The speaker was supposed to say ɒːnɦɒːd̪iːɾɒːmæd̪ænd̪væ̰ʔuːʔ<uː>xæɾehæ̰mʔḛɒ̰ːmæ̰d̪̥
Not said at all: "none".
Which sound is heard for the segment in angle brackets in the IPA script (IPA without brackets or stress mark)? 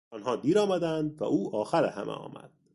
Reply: ɒː